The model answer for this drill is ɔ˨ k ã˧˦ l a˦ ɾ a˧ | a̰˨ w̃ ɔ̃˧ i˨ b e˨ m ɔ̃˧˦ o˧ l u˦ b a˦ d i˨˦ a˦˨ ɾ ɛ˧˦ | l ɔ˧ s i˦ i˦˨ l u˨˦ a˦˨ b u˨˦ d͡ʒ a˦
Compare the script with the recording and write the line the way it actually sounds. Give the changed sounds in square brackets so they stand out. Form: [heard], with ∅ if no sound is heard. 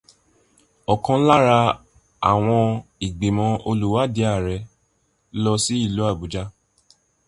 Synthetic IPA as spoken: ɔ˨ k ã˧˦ l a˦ ɾ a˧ | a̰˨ w̃ ɔ̃˧ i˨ [ɡ͡b] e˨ m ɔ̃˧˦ o˧ l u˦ [w] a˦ d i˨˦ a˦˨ ɾ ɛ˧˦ | l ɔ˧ s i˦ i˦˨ l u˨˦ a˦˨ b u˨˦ d͡ʒ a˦